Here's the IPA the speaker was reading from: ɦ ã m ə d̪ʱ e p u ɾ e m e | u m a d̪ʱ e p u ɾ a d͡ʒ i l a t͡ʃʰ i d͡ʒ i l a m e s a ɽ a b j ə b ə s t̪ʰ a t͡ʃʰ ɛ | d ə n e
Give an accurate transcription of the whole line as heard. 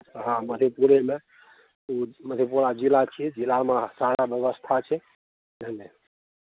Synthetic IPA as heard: ɦ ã m ə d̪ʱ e p u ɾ e m e | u m ə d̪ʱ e p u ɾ a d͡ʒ i l a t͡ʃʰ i d͡ʒ i l a m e s a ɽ a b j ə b ə s t̪ʰ a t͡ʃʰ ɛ | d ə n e